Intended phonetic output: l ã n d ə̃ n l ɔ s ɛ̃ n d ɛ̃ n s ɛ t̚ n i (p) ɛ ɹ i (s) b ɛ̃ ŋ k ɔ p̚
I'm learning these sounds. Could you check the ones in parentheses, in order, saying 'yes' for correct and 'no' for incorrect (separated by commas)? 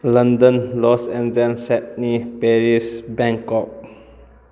yes, yes